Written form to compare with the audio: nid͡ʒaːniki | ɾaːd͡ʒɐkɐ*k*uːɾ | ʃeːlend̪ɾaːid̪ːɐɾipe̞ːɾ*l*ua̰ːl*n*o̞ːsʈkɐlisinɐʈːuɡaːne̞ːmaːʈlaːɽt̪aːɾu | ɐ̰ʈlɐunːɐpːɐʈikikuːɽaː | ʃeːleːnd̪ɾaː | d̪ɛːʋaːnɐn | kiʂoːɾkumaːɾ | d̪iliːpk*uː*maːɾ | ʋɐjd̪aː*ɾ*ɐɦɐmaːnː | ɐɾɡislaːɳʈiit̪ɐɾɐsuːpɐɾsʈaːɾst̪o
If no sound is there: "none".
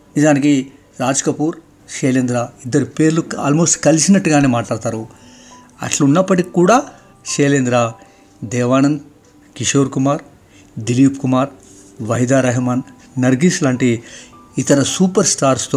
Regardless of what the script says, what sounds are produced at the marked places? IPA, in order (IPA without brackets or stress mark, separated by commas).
p, l, m, u, ɾ